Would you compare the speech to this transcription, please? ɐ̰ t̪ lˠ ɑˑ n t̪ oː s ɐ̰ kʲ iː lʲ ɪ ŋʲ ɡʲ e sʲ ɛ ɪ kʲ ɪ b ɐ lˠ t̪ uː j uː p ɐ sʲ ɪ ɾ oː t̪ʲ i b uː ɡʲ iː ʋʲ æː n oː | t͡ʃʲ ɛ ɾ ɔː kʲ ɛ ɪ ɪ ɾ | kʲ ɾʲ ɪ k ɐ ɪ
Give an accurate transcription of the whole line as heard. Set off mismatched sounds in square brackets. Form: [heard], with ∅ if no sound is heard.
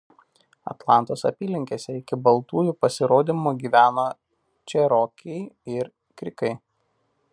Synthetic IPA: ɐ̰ t̪ lˠ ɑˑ n t̪ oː s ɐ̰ [pʲ] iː lʲ ɪ ŋʲ [kʲ] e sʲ ɛ ɪ kʲ ɪ b ɐ lˠ t̪ uː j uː p ɐ sʲ ɪ ɾ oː [d̪ʲ] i [m] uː ɡʲ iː ʋʲ æː n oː | t͡ʃʲ ɛ ɾ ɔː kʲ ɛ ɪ ɪ ɾ | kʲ ɾʲ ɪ k ɐ ɪ

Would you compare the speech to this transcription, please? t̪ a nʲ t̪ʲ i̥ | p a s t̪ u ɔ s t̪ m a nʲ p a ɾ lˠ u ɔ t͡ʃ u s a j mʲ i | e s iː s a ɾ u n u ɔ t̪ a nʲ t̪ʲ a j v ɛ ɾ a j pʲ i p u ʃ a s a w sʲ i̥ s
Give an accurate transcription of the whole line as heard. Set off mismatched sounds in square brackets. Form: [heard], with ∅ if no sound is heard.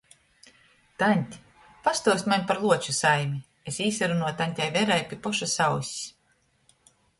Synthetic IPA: t̪ a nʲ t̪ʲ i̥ | p a s t̪ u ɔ s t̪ m a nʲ p a ɾ lˠ u ɔ t͡ʃ u s a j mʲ i | e s iː s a ɾ u n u ɔ t̪ a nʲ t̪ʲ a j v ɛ ɾ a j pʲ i p [ɔ] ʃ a s a w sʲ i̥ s

